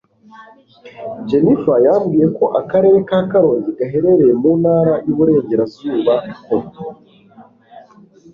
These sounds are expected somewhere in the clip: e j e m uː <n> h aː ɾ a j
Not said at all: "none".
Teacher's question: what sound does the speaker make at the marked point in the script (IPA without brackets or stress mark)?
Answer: n